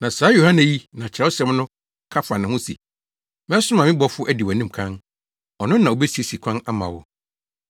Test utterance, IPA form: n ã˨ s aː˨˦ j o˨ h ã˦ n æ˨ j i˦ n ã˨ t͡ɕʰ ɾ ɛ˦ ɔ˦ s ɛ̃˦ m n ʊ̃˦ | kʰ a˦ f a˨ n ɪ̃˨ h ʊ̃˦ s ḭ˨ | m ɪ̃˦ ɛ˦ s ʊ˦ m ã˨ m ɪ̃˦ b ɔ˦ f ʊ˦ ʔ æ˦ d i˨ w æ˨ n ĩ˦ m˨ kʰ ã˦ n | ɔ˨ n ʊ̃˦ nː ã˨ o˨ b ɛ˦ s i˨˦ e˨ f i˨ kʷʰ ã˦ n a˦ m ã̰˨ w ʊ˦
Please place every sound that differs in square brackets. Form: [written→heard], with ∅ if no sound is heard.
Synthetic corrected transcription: n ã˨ s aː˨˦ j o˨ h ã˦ n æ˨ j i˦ n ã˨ t͡ɕʰ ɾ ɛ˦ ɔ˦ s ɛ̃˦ m n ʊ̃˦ | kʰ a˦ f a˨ n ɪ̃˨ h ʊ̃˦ s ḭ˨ | m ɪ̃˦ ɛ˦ s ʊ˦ m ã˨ m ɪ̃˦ b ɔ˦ f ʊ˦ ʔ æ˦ d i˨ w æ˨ n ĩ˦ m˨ kʰ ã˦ n | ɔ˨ n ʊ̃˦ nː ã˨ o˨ b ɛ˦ s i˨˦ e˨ [f→s] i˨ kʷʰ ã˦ n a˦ m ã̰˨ w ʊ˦